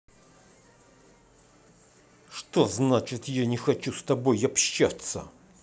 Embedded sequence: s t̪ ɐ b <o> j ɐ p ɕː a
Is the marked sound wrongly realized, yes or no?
no